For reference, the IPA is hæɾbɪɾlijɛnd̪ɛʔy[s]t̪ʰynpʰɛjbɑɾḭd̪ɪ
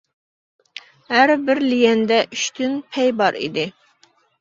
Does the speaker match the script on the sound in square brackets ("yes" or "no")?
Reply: no